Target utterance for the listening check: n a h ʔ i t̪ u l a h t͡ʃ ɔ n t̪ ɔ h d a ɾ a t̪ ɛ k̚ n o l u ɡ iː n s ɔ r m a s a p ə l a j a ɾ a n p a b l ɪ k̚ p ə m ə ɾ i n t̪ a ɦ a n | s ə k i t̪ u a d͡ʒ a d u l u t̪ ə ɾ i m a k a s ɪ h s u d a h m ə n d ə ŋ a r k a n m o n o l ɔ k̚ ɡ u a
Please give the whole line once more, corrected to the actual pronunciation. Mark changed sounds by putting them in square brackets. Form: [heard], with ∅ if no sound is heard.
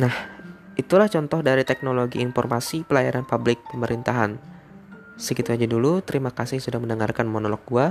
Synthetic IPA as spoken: n a h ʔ i t̪ u l a h t͡ʃ ɔ n t̪ ɔ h d a ɾ [i] t̪ ɛ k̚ n o l [o] ɡ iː n [f] ɔ r m a s [i] p ə l a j a ɾ a n p a b l ɪ k̚ p ə m ə ɾ i n t̪ a ɦ a n | s ə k i t̪ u a d͡ʒ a d u l u t̪ ə ɾ i m a k a s ɪ h s u d a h m ə n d ə ŋ a r k a n m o n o l ɔ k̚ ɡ u a